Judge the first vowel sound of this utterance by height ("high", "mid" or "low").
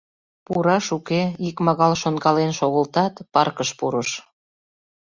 high